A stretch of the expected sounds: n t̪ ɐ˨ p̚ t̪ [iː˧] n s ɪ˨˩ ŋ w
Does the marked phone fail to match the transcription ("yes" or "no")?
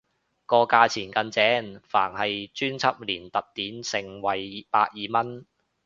yes